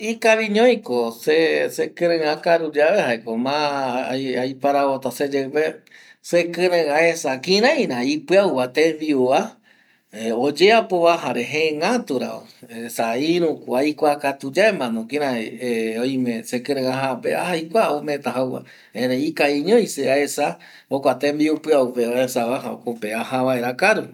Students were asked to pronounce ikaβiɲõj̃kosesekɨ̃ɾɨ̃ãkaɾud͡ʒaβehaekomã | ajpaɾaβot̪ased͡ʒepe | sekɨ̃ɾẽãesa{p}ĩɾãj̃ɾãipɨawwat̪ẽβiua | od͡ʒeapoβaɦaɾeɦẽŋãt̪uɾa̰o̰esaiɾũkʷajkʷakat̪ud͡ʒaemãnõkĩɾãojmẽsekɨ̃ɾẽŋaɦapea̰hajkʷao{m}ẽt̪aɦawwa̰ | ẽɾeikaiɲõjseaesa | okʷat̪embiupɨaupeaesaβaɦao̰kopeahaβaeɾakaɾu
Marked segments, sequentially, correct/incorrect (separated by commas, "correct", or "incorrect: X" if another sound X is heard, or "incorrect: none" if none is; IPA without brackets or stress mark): incorrect: k, correct